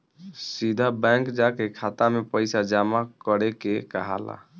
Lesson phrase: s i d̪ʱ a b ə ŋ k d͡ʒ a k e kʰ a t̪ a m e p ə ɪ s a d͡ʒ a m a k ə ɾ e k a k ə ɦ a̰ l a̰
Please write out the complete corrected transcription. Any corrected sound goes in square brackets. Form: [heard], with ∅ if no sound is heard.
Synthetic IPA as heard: s i d̪ʱ a b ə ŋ k d͡ʒ a k e kʰ a t̪ a m e p ə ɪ s a d͡ʒ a m a k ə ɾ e k [e] k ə ɦ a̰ l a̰